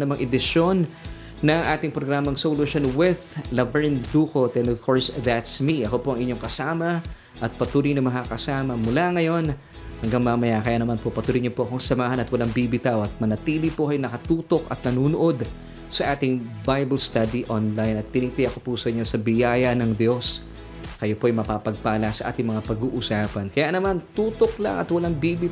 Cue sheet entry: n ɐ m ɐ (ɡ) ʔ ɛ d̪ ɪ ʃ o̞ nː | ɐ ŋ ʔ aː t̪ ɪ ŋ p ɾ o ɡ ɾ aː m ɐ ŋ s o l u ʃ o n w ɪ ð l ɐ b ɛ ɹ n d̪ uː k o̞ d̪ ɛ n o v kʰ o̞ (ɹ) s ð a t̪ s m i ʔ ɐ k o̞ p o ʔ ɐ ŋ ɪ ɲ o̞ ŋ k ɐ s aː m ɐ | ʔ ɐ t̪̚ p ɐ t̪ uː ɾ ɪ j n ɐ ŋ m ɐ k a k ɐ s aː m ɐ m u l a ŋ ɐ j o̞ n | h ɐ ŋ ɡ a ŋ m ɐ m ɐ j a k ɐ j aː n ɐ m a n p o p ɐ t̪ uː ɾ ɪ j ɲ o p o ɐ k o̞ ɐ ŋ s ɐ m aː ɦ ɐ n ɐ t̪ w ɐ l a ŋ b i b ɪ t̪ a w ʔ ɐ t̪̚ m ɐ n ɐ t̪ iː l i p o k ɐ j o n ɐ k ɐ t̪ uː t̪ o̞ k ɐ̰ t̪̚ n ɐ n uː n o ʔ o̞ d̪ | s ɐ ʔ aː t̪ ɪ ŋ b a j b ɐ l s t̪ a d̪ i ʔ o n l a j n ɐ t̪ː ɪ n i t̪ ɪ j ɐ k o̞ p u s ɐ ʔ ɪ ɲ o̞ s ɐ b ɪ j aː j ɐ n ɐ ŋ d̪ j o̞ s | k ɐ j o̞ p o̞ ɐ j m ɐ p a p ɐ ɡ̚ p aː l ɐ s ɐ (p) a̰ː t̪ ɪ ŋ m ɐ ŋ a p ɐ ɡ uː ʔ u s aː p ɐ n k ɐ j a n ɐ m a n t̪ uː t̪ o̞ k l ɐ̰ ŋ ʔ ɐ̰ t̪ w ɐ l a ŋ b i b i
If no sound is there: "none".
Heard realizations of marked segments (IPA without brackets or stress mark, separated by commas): ŋ, ɹ, ʔ